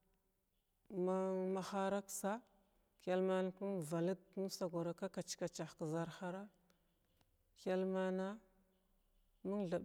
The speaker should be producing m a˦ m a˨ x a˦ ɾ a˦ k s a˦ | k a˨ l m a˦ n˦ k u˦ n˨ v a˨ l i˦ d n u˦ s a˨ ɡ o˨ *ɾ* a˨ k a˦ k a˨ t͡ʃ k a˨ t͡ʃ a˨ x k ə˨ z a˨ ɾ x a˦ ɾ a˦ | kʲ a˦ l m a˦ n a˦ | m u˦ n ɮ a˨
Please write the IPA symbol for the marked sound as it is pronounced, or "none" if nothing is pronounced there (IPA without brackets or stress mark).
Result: ɾ